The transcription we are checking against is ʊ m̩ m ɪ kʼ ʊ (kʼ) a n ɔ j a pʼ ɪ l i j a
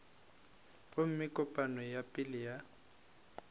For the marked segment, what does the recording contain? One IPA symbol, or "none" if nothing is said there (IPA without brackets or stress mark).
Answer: pʼ